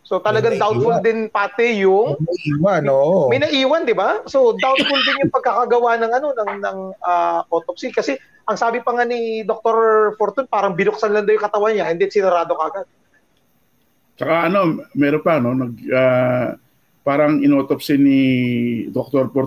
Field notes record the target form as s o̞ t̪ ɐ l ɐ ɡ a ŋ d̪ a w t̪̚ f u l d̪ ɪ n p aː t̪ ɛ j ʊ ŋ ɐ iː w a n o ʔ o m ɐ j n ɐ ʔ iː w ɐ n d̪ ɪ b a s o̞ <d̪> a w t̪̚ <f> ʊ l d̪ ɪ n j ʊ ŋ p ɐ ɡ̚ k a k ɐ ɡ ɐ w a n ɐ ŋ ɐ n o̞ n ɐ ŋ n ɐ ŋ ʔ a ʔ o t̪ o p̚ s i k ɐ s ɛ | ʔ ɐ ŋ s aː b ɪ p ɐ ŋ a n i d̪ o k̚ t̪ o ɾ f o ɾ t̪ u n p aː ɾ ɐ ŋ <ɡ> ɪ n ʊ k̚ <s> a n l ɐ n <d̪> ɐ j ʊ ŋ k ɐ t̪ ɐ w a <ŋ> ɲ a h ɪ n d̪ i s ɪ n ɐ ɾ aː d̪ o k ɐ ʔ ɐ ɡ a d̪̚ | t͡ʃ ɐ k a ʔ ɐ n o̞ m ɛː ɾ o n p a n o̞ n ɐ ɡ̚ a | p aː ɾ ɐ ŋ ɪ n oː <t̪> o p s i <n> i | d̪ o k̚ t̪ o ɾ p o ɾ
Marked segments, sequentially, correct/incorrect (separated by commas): correct, correct, incorrect, correct, correct, incorrect, correct, correct